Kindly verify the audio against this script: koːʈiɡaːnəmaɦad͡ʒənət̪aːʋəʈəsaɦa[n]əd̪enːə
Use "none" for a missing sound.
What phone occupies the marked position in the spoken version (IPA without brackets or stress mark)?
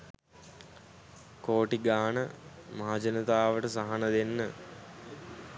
n